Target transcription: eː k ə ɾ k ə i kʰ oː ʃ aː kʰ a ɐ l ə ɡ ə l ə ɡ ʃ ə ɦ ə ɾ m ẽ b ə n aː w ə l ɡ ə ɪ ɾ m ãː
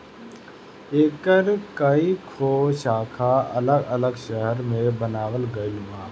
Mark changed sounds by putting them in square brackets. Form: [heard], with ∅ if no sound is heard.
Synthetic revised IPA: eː k ə ɾ k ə i kʰ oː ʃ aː kʰ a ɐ l ə ɡ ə l ə ɡ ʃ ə ɦ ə ɾ m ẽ b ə n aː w ə l ɡ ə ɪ [l] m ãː